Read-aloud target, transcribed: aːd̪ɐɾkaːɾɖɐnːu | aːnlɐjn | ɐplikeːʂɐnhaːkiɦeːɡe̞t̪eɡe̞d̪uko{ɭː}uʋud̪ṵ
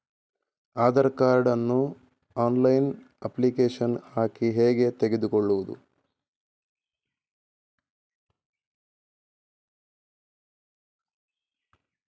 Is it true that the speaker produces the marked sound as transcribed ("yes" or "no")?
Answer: yes